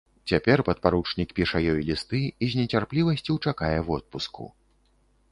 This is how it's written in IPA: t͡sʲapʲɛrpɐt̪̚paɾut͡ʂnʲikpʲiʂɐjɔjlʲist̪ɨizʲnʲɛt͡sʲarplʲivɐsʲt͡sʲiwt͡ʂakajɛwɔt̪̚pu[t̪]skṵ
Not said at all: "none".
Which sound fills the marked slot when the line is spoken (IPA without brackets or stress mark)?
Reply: none